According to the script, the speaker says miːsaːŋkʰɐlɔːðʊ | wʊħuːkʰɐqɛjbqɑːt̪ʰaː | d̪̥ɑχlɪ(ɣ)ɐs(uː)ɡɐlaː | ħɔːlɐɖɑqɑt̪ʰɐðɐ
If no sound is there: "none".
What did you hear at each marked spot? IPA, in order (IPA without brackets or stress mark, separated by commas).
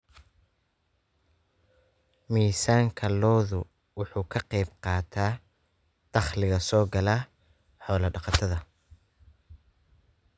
ɣ, ɔː